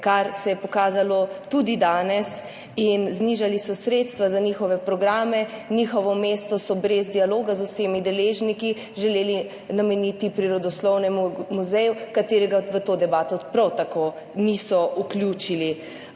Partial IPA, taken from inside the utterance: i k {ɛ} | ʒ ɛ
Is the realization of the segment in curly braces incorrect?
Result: yes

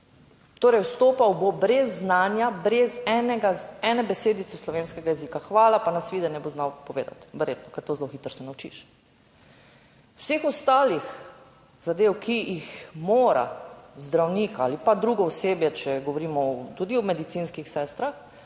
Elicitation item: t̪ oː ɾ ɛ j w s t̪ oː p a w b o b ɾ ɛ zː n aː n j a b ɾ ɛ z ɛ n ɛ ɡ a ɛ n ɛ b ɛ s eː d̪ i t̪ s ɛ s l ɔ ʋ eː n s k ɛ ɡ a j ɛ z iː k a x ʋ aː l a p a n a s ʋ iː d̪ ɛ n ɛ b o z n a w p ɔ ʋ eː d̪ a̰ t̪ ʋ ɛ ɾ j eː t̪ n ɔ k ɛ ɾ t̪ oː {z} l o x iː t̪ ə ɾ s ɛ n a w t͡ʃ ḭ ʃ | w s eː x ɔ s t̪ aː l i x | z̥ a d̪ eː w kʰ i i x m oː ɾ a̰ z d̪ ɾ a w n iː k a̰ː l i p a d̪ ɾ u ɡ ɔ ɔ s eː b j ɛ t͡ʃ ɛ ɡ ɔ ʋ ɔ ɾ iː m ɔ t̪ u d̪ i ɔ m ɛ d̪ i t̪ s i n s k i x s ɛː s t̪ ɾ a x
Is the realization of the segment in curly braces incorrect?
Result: no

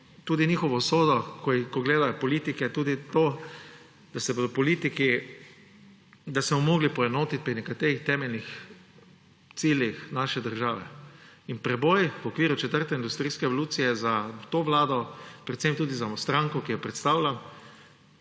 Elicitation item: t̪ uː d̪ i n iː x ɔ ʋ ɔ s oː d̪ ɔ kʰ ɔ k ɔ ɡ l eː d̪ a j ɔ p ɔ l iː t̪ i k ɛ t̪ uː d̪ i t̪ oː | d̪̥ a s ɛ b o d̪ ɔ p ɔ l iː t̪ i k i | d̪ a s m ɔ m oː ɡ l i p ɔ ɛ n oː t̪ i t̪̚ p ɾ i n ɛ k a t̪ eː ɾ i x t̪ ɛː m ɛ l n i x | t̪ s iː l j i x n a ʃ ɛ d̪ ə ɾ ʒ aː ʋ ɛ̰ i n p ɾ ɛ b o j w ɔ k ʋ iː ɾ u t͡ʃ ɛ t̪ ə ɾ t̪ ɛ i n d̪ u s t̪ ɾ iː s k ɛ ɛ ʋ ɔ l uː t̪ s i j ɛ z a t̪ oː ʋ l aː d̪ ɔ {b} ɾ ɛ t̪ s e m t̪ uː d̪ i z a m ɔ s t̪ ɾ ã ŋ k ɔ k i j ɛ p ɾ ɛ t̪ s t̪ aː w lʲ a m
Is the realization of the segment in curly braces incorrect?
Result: yes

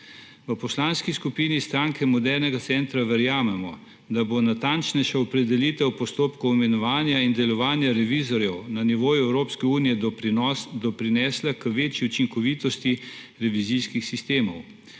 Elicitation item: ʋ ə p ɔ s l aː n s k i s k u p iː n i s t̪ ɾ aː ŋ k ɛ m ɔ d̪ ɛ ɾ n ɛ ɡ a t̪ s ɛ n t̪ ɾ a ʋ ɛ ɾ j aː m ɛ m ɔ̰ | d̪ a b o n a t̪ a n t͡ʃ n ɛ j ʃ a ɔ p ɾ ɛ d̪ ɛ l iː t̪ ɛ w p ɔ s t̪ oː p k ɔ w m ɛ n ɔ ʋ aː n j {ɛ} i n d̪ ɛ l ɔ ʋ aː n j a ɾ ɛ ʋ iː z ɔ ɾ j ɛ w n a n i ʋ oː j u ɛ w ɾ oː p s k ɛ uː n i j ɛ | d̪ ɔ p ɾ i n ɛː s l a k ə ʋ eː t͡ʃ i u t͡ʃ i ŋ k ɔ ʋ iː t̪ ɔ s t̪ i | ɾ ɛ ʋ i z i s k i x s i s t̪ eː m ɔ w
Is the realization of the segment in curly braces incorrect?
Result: yes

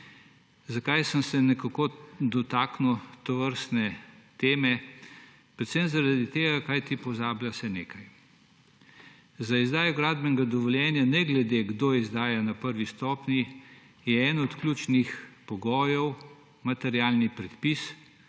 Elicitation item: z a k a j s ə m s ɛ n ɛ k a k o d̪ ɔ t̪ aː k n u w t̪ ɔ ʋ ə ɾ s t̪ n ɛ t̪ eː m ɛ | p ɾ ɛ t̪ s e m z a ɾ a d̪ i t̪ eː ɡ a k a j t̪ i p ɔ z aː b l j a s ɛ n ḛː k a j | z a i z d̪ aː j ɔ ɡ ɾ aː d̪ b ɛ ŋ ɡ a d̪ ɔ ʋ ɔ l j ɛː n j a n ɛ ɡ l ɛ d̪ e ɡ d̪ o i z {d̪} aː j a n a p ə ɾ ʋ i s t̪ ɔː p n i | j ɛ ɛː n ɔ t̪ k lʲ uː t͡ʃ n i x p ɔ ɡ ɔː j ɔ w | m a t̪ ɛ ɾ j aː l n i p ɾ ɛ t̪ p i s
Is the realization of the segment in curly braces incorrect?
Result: no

